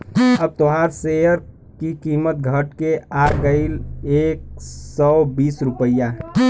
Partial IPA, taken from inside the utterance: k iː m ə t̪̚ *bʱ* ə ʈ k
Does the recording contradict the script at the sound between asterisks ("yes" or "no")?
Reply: yes